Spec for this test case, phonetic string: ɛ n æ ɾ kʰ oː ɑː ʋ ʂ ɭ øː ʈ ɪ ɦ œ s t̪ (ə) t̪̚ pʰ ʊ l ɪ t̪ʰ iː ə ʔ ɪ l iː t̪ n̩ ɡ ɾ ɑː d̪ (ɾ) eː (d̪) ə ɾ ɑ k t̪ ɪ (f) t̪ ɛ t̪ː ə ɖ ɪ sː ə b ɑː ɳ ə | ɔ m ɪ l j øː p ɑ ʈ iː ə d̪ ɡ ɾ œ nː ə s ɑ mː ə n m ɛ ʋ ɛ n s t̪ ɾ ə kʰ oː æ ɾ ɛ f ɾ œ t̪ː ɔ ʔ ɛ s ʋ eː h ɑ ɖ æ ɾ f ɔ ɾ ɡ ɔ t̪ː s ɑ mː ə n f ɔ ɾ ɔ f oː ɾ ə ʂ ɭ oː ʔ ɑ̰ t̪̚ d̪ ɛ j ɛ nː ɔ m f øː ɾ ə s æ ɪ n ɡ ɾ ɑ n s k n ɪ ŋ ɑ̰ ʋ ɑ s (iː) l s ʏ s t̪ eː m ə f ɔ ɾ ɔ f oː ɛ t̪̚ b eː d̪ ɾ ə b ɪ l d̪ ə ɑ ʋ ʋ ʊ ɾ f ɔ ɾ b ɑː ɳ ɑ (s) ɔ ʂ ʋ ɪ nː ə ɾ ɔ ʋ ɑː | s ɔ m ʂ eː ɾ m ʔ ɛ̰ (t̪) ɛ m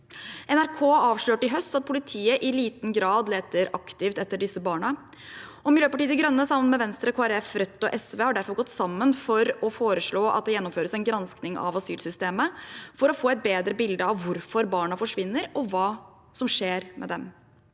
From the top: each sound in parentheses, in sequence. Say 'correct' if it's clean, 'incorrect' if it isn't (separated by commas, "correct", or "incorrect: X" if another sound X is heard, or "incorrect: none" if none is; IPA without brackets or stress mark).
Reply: incorrect: ɑ, incorrect: l, incorrect: t̪, correct, incorrect: yː, incorrect: f, incorrect: d̪